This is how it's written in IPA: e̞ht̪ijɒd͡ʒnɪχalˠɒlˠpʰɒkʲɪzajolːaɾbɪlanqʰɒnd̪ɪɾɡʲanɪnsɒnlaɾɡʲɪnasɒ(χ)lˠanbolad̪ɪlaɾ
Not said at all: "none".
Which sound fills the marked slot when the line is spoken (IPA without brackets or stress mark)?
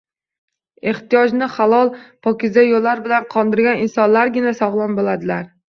ʁ